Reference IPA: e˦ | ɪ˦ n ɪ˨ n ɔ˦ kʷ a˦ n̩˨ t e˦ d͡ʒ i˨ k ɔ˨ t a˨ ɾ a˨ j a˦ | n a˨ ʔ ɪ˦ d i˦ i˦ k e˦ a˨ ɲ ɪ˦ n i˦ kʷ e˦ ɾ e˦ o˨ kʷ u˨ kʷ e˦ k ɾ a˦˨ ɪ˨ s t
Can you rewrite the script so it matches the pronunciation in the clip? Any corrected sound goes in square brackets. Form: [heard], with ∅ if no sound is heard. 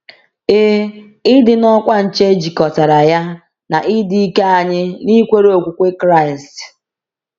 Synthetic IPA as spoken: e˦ | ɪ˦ [d] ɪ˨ n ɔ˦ kʷ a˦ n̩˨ [t͡ʃ] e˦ d͡ʒ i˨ k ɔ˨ t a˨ ɾ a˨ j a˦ | n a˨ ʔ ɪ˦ d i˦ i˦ k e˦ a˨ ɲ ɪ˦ n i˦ kʷ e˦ ɾ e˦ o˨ kʷ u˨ kʷ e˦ k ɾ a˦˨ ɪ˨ s t